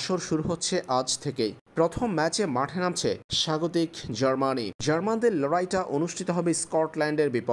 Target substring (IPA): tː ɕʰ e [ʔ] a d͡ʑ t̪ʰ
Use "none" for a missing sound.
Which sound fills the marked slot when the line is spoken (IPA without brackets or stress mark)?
ʔ